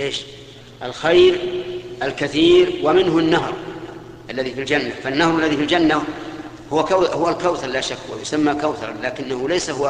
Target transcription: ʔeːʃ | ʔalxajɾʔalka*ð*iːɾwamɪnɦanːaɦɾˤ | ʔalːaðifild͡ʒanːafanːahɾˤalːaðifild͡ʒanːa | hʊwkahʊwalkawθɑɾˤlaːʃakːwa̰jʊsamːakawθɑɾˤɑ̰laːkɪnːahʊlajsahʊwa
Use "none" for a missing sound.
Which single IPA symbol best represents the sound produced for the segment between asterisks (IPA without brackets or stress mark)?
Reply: θ